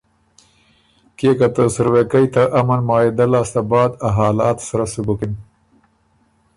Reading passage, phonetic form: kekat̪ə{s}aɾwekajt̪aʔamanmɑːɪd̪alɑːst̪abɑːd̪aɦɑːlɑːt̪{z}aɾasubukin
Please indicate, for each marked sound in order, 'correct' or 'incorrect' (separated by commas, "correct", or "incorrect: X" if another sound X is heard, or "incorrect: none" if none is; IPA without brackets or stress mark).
correct, incorrect: s